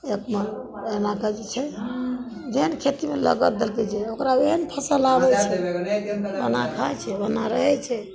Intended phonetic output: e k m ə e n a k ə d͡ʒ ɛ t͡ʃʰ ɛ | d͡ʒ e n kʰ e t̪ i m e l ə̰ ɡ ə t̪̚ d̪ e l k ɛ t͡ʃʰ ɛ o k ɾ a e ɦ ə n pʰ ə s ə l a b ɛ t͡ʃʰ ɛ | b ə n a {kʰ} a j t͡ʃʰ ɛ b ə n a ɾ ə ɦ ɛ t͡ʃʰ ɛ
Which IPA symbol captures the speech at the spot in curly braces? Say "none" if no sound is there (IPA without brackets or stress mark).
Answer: kʰ